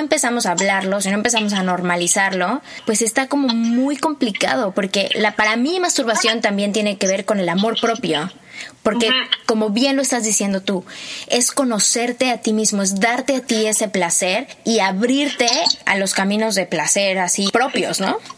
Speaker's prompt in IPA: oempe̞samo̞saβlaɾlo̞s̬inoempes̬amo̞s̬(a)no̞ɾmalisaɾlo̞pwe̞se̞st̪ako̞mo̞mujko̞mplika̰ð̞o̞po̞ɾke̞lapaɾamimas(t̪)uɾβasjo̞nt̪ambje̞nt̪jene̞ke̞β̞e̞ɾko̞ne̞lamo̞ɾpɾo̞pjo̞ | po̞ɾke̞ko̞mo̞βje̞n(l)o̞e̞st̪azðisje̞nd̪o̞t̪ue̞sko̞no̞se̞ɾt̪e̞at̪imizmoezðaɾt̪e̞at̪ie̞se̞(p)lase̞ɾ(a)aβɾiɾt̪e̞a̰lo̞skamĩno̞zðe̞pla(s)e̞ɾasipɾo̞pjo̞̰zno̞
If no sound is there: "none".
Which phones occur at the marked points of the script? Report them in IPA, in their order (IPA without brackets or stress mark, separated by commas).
a, t̪, l, p, i, s